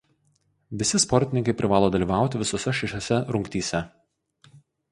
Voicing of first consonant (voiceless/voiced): voiced